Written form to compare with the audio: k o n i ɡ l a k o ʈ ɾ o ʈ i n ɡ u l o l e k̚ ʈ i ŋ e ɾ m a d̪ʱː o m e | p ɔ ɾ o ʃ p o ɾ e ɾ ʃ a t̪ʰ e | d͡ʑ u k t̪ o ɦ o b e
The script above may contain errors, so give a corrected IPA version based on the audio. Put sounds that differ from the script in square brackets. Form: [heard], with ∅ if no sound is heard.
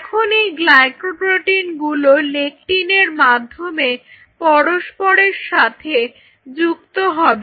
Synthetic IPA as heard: [kʰ] o n i ɡ l a k o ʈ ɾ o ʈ i n ɡ u l o l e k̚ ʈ i [n] e ɾ m a d̪ʱː o m e | p ɔ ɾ o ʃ p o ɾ e ɾ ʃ a t̪ʰ e | d͡ʑ u k t̪ o ɦ [ɔ] b e